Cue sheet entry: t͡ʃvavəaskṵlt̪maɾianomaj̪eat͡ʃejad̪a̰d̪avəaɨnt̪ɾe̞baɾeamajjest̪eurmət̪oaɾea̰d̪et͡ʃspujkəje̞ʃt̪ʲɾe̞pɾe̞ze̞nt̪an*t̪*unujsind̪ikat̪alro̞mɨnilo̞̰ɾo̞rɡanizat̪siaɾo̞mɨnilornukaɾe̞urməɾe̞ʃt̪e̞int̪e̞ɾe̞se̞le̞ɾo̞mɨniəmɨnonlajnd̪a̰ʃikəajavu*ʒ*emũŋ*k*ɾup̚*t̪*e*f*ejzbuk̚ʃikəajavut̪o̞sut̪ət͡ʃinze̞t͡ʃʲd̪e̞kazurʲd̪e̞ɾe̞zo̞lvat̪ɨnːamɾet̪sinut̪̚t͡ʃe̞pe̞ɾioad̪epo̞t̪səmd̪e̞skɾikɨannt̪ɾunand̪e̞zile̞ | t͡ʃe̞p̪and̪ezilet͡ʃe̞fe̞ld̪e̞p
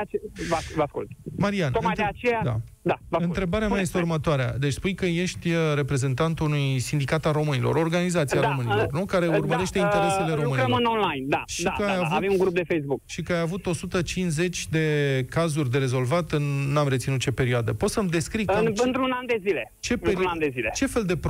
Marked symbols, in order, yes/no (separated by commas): yes, no, no, no, yes